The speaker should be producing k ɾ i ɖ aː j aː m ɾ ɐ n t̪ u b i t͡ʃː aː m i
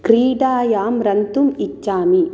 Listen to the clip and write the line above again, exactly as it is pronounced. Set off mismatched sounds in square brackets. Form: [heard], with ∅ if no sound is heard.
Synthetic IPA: k ɾ [iː] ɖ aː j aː m ɾ ɐ n t̪ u [m] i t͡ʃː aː m i